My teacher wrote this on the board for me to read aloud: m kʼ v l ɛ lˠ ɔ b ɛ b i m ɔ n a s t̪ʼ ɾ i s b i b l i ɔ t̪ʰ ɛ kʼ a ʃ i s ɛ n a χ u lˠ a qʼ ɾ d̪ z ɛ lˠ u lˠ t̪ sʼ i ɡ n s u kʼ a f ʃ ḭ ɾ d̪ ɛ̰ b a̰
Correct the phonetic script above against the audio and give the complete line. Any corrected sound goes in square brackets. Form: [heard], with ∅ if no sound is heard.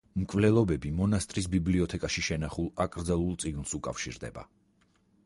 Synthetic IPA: m kʼ v l ɛ lˠ ɔ b ɛ b i m ɔ n a s t̪ʼ ɾ i s b i b l i ɔ t̪ʰ ɛ kʼ a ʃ i [ʃ] ɛ n a χ u lˠ a [kʼ] ɾ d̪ z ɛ lˠ u lˠ t̪ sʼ i ɡ n s u kʼ a f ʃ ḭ ɾ d̪ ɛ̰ b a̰